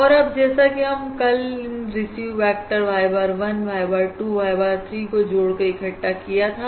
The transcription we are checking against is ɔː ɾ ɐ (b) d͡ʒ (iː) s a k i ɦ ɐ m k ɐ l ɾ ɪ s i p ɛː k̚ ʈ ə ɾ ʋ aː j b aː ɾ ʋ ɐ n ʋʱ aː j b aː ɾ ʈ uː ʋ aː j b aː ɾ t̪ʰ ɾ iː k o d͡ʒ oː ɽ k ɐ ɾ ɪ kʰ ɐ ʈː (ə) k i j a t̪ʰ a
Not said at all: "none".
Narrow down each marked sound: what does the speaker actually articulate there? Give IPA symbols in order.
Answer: b, ɛː, a

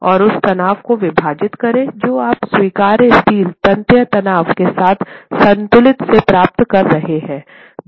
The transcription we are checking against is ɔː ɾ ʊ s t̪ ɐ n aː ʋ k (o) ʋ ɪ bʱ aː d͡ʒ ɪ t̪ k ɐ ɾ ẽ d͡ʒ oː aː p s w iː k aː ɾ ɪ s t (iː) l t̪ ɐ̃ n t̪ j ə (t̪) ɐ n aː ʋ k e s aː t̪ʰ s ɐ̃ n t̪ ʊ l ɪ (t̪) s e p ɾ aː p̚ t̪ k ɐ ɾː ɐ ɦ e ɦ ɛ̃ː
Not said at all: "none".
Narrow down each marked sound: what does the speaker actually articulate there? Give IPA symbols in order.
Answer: o, iː, t̪, t̪

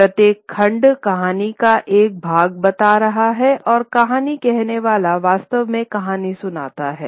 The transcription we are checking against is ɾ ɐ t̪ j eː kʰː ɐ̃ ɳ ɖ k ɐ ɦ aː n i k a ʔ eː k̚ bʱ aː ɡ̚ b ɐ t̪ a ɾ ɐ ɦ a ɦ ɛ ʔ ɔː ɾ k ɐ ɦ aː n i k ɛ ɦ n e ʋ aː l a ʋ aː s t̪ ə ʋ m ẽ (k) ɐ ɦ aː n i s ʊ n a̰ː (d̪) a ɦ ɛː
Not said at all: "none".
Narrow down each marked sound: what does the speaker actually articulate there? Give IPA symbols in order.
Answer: k, t̪

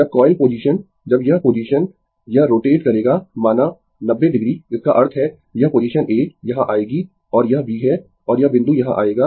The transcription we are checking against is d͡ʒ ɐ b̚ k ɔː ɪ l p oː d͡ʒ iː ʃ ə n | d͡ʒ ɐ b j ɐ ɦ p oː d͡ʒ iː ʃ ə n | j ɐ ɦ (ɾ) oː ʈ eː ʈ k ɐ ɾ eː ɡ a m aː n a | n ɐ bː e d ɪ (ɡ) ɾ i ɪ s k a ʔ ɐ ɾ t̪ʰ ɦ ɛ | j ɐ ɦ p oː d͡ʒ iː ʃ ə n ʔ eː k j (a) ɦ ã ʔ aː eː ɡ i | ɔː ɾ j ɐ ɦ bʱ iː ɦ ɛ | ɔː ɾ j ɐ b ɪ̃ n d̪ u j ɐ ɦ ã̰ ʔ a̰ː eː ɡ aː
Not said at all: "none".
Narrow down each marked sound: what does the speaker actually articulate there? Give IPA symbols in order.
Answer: ɾ, ɡ, ɐ

